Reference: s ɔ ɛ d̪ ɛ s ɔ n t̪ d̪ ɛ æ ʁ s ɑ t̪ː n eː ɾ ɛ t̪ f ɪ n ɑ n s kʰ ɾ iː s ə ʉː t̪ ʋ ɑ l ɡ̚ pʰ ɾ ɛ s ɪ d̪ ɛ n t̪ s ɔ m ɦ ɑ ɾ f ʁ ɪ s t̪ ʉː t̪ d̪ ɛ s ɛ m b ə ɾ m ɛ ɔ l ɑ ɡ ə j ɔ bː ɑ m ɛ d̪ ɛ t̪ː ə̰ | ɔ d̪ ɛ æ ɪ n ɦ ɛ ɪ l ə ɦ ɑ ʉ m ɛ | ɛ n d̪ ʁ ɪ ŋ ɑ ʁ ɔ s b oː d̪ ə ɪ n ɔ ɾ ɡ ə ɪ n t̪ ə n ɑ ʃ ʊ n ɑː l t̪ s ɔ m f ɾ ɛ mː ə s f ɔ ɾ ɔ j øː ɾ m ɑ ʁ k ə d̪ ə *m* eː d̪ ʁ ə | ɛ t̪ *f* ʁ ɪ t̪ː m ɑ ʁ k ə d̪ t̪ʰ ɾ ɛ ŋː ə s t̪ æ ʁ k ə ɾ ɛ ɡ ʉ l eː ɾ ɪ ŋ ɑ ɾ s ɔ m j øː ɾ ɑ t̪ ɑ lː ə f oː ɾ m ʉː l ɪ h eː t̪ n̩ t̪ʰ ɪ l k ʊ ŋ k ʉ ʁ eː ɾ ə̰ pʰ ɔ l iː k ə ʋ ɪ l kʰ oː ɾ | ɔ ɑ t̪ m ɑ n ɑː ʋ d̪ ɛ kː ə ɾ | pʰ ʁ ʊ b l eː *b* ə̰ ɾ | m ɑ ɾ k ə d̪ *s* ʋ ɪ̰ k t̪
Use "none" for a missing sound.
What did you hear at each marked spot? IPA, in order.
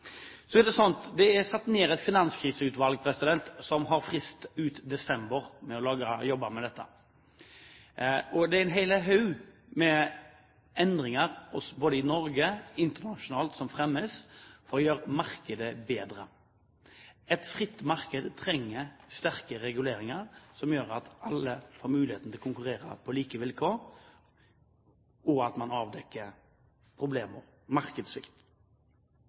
b, f, m, s

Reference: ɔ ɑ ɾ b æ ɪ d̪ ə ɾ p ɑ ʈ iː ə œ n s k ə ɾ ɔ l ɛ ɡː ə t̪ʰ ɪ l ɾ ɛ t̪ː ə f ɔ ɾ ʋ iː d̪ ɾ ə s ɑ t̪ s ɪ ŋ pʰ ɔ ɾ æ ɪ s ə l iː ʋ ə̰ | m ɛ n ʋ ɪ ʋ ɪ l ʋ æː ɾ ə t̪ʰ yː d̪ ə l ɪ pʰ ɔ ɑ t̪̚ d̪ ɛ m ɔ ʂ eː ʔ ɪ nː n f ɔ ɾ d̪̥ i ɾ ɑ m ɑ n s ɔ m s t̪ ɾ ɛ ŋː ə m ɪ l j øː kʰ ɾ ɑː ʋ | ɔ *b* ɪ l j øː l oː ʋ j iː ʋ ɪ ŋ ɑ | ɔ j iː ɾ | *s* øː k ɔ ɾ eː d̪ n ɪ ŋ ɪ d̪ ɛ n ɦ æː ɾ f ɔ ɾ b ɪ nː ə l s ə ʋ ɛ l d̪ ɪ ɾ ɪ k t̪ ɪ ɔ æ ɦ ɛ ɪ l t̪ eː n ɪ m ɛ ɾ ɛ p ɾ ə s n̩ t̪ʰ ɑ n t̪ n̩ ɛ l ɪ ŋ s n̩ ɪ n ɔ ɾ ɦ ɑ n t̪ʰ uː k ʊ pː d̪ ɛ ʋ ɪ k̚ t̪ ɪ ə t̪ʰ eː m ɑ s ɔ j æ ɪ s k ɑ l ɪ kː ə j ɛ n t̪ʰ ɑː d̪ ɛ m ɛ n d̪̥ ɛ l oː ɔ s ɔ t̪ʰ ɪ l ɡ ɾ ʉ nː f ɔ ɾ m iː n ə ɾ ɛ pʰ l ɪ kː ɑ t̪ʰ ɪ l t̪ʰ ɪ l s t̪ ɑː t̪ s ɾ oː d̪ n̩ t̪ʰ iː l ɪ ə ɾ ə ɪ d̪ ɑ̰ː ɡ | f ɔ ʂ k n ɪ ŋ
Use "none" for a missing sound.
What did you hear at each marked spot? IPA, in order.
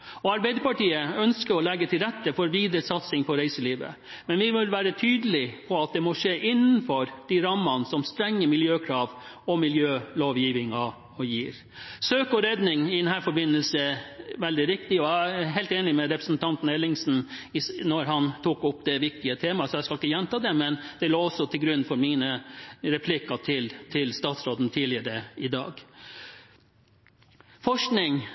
m, s

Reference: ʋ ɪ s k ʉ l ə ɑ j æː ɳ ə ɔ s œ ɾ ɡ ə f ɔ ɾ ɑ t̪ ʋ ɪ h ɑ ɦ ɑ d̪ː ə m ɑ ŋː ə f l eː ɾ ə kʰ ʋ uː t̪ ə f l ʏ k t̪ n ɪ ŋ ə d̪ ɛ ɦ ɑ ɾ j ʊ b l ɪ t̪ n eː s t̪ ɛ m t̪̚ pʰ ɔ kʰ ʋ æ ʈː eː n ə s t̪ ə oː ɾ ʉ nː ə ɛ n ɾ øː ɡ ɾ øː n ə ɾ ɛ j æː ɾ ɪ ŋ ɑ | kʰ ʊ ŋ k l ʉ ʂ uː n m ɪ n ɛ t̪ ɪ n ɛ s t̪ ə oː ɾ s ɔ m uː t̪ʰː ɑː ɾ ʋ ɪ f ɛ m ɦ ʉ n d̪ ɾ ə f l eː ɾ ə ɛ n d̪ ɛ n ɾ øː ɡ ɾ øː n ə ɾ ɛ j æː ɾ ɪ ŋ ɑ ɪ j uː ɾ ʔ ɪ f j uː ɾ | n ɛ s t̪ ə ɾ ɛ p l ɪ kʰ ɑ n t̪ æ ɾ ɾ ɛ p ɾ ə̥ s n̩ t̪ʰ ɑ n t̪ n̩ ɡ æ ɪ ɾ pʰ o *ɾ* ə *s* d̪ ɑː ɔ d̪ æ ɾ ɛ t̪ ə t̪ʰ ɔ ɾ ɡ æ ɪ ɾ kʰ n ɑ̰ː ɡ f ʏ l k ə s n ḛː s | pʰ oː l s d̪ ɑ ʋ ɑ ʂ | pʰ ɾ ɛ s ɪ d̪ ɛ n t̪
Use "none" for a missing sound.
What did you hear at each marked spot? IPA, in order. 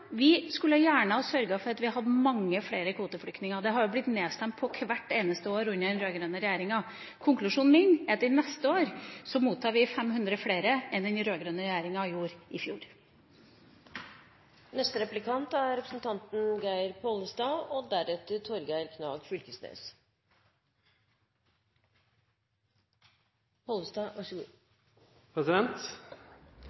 l, s

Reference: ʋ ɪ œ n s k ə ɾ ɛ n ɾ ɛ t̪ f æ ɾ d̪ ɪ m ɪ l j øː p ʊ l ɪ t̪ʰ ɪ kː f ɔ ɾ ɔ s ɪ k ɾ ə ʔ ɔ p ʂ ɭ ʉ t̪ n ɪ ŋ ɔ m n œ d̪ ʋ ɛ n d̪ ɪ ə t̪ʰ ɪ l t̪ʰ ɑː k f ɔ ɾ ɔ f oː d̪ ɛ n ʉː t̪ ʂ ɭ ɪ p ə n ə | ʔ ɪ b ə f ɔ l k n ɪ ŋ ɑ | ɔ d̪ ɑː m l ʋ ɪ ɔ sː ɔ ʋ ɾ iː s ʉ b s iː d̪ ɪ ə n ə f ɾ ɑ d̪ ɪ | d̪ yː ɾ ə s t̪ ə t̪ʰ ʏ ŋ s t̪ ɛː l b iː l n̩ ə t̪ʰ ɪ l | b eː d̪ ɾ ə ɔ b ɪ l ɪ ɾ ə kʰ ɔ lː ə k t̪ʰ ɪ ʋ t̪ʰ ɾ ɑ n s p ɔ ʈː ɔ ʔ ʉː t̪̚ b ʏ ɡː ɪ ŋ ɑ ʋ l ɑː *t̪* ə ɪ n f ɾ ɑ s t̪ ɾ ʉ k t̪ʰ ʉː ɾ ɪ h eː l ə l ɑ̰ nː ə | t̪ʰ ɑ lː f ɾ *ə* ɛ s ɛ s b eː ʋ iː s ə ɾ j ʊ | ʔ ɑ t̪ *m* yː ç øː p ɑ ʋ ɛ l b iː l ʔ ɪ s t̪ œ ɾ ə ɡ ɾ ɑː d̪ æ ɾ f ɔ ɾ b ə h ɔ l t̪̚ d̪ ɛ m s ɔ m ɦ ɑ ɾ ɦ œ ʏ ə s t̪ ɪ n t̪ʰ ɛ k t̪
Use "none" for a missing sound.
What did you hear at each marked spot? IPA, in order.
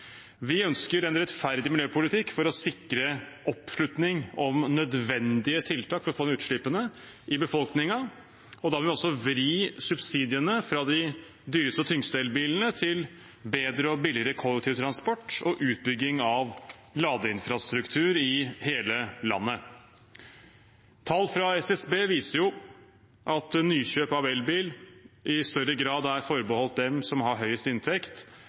d̪, ɑ, n

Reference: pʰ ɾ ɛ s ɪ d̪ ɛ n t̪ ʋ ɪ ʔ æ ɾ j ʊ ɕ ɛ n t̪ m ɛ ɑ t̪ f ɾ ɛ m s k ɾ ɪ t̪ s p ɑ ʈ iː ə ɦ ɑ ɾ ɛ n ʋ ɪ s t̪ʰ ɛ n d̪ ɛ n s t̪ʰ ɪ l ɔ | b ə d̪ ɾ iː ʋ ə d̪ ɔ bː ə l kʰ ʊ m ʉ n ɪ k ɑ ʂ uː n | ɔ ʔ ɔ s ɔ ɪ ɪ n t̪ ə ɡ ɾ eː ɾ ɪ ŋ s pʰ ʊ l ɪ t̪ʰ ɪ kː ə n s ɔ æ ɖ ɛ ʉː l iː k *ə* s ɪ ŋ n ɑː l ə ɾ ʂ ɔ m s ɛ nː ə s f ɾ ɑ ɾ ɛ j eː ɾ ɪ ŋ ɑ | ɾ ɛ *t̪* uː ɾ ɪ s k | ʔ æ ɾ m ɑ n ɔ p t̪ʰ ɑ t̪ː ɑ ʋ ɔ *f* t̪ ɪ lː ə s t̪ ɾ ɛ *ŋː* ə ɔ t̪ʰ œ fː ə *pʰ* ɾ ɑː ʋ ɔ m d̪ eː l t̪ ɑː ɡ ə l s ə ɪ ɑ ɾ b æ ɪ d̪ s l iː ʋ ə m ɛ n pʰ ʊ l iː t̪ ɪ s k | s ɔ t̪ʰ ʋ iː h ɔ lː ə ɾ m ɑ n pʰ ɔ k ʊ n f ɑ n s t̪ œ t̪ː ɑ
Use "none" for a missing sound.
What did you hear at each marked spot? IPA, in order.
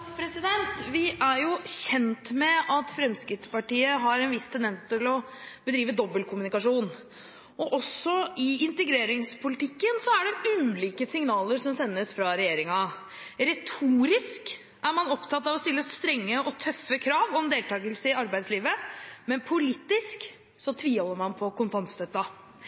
ə, t̪ʰ, s, ŋː, kʰ

